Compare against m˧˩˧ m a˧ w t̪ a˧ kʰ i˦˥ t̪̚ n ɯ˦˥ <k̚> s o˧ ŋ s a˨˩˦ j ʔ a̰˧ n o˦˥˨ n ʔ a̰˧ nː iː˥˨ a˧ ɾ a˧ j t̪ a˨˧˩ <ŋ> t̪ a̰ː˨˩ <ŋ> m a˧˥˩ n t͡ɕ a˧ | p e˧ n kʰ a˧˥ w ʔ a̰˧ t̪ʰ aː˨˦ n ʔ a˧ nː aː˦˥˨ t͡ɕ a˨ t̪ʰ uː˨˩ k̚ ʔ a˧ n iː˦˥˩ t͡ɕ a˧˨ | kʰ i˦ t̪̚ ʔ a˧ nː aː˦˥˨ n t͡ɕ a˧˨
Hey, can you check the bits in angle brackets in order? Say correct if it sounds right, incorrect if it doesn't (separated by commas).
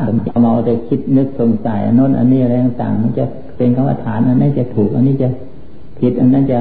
correct, correct, correct